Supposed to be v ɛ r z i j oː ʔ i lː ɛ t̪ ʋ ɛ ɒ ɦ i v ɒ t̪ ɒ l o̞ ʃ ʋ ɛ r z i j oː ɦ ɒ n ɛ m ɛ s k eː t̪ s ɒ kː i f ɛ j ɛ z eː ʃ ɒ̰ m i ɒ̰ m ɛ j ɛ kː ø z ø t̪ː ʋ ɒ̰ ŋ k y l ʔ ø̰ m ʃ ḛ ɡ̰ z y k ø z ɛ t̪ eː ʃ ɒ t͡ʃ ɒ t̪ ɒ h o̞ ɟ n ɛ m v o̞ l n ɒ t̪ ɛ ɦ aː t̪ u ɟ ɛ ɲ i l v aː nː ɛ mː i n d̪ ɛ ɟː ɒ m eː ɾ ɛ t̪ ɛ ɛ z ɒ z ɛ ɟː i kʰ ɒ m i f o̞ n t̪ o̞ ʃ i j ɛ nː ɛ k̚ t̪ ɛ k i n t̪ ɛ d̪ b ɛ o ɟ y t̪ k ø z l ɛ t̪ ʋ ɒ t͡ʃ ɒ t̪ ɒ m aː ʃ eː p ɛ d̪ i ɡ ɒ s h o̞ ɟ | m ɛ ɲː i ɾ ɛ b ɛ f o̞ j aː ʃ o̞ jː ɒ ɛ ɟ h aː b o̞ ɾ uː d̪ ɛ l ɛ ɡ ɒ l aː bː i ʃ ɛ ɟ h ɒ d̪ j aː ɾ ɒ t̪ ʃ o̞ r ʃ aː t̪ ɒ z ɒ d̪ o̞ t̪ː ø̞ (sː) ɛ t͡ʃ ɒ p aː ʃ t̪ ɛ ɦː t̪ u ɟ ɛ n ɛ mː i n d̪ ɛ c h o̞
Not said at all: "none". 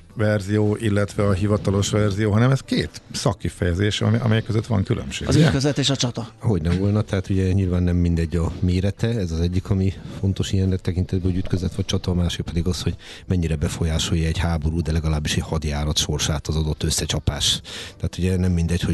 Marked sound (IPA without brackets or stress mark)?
sː